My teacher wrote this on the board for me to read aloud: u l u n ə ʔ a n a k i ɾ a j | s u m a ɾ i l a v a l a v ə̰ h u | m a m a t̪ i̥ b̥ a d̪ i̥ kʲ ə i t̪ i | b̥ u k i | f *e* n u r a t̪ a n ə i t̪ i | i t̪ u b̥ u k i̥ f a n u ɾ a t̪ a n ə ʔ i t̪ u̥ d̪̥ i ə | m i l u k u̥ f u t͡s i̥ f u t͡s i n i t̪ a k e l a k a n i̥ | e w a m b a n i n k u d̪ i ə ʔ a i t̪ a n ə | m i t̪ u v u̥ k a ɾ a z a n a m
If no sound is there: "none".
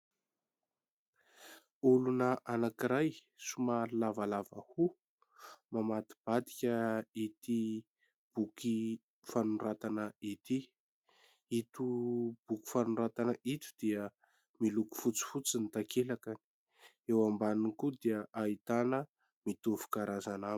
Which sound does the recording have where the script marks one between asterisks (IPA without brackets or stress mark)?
a